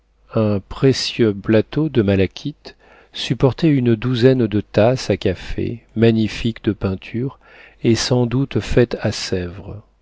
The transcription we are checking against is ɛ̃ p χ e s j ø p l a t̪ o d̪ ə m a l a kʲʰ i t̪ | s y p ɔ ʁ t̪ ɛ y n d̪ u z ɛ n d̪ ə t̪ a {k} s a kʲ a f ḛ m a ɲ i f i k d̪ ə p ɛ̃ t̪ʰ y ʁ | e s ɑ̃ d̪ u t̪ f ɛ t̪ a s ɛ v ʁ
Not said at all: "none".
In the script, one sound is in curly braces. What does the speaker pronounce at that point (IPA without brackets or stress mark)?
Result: none